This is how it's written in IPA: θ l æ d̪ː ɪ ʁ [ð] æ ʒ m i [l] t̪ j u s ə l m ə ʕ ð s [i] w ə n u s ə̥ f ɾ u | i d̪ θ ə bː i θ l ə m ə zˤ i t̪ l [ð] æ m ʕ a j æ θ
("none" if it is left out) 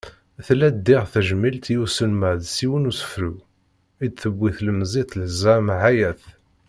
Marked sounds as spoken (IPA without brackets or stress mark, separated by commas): θ, l, i, z